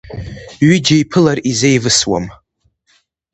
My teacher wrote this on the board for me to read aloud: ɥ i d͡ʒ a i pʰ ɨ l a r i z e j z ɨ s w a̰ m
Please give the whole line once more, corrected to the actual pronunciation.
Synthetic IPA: ɥ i d͡ʒ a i pʰ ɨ l a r i z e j v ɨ s w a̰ m